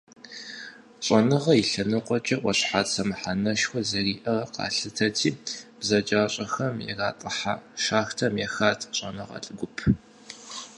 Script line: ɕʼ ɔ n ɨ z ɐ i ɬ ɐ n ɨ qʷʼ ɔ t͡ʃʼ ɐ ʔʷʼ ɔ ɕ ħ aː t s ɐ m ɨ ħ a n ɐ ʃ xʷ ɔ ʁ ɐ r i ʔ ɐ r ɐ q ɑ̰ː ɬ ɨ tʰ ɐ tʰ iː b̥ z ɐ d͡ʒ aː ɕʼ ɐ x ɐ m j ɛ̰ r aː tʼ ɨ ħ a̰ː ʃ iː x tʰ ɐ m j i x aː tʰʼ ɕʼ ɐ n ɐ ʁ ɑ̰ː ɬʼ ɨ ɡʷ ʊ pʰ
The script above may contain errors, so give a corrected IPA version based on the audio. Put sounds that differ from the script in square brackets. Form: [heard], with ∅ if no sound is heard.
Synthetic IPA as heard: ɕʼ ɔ n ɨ [ʁ] ɐ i ɬ ɐ n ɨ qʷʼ ɔ t͡ʃʼ ɐ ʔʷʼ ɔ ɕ ħ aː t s ɐ m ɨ ħ a n ɐ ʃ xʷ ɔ [z] ɐ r [iː] ʔ ɐ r ɐ q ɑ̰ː ɬ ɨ tʰ ɐ tʰ iː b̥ z ɐ d͡ʒ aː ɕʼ ɐ x ɐ m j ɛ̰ r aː tʼ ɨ ħ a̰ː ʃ [aː] x tʰ ɐ m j [ɛ] x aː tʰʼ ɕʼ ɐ n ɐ ʁ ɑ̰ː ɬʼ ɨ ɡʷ ʊ pʰ